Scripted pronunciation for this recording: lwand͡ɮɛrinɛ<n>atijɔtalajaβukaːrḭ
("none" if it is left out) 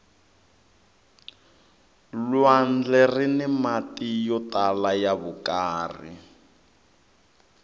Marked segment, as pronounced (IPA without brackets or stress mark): m